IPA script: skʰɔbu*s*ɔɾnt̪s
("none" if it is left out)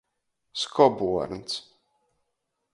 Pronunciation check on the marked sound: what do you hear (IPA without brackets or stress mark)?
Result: none